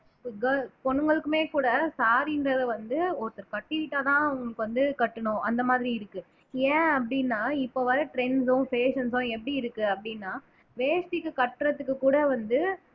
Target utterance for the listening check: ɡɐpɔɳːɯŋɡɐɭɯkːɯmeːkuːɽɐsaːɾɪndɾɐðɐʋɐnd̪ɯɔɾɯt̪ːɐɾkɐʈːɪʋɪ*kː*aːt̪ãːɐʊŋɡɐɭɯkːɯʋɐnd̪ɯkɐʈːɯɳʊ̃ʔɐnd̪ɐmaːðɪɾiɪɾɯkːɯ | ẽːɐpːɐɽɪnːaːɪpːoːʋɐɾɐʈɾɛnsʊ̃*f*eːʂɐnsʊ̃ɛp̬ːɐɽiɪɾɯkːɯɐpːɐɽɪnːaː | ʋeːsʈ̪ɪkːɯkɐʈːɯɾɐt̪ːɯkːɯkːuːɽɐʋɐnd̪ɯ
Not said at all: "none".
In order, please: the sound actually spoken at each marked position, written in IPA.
ʈː, f

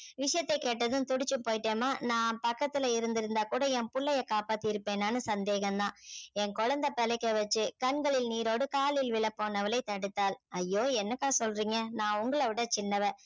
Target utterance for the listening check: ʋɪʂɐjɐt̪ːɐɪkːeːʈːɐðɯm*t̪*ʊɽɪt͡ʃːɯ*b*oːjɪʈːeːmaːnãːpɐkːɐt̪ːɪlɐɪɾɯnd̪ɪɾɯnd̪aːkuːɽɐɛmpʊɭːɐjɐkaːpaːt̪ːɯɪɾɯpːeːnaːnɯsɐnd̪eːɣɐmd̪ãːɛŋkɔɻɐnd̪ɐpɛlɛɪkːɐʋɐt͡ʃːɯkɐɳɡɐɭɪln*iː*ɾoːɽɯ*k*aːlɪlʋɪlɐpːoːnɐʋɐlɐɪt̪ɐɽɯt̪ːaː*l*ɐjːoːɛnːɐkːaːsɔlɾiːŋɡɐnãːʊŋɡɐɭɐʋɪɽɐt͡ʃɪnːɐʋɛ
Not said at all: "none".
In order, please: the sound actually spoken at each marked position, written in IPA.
t̪, p, iː, k, l

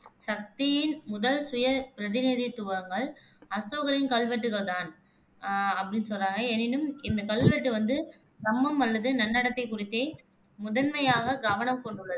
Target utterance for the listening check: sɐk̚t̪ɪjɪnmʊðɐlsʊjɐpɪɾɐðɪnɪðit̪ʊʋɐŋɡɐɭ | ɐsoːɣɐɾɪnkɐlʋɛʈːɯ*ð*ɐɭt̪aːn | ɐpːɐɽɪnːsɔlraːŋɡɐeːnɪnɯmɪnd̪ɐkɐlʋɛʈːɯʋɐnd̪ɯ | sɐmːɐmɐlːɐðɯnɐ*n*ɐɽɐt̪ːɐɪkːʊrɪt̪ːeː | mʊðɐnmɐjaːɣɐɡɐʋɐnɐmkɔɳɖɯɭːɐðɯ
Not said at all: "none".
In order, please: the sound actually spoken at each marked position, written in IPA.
ɣ, nː

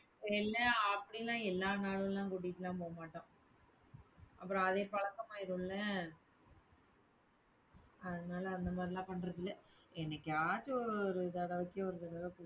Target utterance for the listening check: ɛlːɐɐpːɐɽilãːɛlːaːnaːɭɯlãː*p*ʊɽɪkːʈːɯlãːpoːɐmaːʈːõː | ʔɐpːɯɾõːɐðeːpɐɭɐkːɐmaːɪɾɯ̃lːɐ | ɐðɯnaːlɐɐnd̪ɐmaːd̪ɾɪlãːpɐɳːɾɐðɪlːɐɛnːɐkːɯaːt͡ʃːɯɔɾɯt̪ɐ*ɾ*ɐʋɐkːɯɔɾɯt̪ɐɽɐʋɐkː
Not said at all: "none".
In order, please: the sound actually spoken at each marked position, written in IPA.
k, ɽ

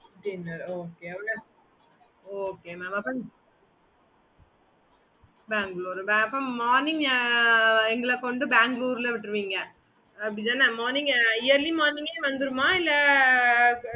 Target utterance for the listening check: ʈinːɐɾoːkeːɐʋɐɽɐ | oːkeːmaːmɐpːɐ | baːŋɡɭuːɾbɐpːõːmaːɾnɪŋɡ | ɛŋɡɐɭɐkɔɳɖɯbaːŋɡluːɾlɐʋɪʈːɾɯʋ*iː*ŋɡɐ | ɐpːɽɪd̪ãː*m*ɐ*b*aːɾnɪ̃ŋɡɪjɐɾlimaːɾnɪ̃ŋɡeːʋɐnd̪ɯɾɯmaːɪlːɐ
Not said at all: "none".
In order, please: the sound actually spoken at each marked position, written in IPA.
iː, n, m

